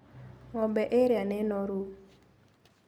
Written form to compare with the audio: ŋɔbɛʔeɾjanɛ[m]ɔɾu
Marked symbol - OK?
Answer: no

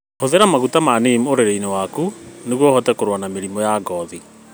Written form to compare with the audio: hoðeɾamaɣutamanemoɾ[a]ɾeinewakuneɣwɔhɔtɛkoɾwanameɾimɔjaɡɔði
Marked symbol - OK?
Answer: no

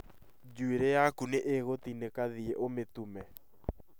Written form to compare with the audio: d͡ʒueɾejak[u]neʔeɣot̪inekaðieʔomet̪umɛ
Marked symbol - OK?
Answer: yes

